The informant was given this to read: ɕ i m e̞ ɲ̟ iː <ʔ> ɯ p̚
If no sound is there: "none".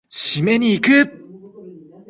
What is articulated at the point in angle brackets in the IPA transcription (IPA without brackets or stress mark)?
k